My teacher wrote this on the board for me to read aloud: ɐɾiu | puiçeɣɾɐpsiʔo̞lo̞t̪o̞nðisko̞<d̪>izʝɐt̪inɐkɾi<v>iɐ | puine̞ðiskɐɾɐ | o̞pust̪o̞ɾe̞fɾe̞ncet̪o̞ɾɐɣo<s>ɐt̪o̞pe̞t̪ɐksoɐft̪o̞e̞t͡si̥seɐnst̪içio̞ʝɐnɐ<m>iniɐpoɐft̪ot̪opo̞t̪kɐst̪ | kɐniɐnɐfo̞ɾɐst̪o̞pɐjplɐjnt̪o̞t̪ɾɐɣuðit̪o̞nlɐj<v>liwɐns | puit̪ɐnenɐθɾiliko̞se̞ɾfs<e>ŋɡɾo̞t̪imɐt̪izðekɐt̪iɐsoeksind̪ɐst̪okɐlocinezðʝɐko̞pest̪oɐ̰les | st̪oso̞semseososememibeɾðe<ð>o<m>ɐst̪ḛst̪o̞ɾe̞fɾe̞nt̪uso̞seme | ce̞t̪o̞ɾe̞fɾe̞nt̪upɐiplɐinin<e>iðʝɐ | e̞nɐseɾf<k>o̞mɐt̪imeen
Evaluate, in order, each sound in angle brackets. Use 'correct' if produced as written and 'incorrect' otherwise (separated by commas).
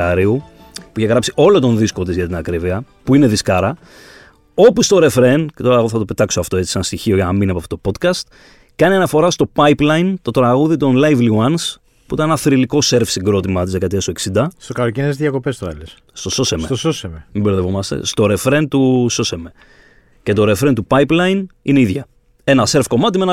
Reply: incorrect, correct, incorrect, correct, correct, incorrect, incorrect, correct, correct, correct